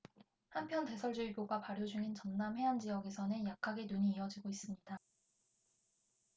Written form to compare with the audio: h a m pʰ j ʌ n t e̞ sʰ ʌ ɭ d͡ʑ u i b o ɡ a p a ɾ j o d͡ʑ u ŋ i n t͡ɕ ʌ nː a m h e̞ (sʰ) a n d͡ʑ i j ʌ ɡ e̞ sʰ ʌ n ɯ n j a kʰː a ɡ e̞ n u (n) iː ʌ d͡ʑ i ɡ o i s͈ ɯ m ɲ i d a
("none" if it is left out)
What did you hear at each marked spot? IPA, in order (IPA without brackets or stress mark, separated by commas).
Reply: none, ɲ